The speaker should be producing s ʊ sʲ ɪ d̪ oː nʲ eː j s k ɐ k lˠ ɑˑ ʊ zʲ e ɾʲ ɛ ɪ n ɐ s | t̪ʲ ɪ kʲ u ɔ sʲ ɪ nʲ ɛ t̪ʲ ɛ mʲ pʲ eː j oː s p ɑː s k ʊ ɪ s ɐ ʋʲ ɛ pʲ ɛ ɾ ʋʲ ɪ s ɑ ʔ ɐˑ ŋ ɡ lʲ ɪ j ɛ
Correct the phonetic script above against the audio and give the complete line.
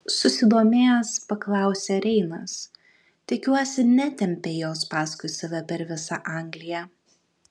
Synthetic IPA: s ʊ sʲ ɪ d̪ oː mʲ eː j s p ɐ k lˠ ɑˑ ʊ sʲ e ɾʲ ɛ ɪ n ɐ s | t̪ʲ ɪ kʲ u ɔ sʲ ɪ nʲ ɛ t̪ʲ ɛ mʲ pʲ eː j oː s p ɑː s k ʊ ɪ s ɐ ʋʲ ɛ pʲ ɛ ɾ ʋʲ ɪ s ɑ ʔ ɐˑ ŋ ɡ lʲ ɪ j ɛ